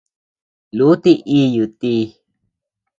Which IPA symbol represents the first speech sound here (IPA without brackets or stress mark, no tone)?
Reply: l